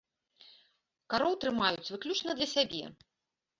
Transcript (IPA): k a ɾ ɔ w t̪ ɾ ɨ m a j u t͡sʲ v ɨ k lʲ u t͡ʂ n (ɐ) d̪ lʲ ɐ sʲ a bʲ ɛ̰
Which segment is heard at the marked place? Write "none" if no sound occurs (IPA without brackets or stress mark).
ɐ